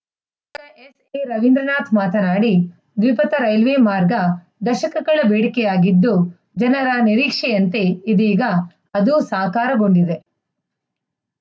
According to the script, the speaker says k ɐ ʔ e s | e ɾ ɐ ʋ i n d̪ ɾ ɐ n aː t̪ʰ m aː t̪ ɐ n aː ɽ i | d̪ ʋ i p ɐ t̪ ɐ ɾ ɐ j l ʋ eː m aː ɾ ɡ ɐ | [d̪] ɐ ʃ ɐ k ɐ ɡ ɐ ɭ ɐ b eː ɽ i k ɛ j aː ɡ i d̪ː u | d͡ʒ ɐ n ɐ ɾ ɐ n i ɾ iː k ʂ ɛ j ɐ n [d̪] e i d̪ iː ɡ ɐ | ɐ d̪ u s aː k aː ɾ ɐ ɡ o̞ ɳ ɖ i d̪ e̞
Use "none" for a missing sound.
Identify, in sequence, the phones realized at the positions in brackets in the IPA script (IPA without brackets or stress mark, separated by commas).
d̪, t̪